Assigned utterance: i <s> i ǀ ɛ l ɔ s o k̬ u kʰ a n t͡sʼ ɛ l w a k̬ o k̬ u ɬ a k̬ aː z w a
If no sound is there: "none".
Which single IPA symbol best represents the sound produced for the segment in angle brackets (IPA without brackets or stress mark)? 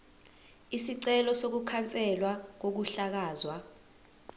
s